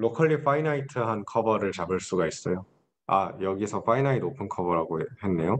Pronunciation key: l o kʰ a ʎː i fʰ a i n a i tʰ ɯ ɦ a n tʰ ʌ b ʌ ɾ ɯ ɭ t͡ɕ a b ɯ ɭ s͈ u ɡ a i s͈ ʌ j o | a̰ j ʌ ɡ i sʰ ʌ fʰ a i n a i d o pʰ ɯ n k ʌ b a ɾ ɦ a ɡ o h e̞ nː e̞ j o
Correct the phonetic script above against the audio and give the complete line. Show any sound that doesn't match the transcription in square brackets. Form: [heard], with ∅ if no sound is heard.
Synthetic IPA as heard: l o kʰ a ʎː i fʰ a i n a i tʰ ɯ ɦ a n [kʰ] ʌ b ʌ ɾ ɯ ɭ t͡ɕ a b ɯ ɭ s͈ u ɡ a i s͈ ʌ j o | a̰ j ʌ ɡ i sʰ ʌ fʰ a i n a i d o pʰ ɯ n [kʰ] ʌ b [ʌ] ɾ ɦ a ɡ o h e̞ nː e̞ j o